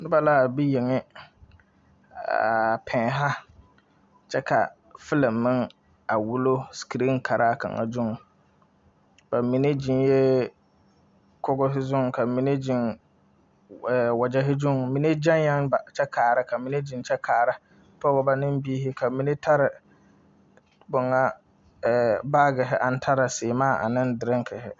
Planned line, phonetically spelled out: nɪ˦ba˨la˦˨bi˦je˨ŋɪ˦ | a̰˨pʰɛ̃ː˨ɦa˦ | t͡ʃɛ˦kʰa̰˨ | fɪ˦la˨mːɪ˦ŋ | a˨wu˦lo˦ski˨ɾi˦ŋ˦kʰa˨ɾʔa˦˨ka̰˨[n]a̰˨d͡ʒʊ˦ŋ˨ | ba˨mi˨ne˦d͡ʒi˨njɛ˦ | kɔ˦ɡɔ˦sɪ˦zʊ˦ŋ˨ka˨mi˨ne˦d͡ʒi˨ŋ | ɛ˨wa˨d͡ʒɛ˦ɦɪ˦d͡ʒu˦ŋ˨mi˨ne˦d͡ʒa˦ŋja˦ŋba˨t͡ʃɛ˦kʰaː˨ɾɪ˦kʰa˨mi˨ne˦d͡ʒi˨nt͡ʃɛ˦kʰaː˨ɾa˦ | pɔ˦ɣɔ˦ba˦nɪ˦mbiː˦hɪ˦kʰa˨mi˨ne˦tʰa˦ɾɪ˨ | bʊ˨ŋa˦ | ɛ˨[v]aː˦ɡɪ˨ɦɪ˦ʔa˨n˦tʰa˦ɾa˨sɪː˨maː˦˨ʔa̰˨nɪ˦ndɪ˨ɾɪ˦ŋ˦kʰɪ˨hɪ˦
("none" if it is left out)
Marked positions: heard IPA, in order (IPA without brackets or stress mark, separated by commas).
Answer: ŋ, b